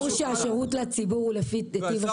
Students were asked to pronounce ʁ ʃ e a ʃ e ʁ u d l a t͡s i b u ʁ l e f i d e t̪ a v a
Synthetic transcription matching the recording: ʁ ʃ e a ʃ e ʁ u t l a t͡s i b u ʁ l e f i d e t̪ i v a